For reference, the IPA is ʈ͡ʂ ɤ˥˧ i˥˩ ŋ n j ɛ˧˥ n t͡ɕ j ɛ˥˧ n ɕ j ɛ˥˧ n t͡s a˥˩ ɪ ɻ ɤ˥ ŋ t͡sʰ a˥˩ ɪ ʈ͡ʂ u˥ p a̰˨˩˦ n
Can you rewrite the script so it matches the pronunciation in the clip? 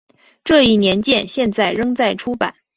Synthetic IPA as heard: ʈ͡ʂ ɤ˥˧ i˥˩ n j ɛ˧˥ n t͡ɕ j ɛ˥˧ n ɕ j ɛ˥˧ n t͡s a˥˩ ɪ ɻ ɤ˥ ŋ t͡s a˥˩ ɪ ʈ͡ʂʰ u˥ p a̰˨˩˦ n